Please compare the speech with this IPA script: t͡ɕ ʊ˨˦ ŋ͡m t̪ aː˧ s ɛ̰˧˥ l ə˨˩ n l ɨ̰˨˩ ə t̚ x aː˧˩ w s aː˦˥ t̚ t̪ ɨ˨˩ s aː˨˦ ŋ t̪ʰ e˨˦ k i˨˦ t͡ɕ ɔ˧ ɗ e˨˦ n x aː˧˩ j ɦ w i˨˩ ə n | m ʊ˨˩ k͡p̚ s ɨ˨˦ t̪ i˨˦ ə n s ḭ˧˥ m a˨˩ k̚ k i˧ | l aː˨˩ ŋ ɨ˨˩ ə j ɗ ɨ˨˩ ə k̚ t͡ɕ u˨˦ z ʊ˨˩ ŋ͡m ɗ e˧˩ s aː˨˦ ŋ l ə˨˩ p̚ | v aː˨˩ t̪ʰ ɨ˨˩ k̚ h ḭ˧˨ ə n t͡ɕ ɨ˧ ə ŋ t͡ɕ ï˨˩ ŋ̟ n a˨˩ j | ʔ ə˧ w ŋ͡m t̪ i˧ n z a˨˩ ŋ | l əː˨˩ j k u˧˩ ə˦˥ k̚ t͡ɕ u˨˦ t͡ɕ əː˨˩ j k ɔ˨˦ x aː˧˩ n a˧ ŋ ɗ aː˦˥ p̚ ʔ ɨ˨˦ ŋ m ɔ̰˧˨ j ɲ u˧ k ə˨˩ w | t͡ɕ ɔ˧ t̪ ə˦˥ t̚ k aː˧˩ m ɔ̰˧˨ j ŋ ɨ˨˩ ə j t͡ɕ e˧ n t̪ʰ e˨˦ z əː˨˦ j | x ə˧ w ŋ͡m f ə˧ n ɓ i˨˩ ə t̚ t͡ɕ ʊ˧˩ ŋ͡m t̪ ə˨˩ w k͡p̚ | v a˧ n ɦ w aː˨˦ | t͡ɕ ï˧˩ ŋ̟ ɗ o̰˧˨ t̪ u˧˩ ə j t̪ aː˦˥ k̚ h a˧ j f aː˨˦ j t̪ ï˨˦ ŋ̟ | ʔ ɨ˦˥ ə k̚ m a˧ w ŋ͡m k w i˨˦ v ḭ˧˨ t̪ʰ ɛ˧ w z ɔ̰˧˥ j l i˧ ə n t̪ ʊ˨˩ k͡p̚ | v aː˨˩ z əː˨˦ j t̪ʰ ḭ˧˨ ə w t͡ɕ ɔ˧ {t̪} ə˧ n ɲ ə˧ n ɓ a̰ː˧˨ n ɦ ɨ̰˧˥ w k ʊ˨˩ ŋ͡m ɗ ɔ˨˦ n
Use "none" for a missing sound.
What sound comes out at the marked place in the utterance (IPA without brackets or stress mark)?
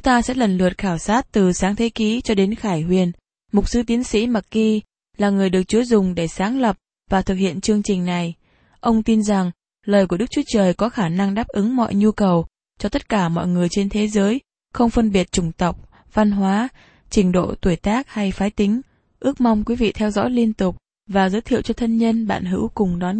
t̪ʰ